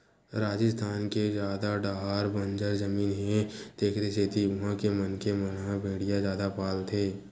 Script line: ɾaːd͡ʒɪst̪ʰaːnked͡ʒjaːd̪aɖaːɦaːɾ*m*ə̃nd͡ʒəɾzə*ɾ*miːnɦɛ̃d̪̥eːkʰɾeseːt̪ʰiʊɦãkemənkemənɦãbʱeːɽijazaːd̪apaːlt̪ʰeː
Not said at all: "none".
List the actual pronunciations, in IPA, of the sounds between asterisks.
b, none

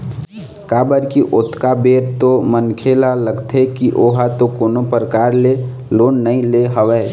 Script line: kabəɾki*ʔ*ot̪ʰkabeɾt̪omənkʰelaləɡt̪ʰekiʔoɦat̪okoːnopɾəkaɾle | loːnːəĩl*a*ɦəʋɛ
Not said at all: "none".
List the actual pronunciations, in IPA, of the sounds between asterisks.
ʔ, e

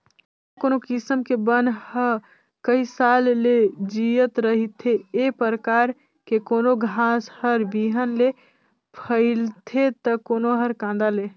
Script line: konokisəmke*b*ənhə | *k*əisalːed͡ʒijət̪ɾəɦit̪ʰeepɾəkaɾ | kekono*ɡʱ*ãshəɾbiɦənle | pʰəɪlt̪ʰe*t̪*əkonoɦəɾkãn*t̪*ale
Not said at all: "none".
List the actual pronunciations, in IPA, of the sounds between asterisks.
b, k, ɡʱ, t̪, d̪

